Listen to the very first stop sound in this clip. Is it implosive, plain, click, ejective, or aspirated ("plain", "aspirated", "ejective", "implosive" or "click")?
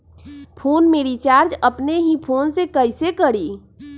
aspirated